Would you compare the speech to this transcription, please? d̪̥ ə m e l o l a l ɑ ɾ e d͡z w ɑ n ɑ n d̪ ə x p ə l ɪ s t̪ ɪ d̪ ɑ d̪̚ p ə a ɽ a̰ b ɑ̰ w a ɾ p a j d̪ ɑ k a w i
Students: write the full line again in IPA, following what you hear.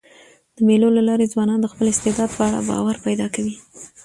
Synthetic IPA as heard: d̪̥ ə m e l o l a l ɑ ɾ e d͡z w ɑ n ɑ n d̪ ə x p ə l ɪ s t̪ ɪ d̪ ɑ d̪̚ p ə a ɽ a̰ b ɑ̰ w a ɾ p a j d̪ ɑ k a w i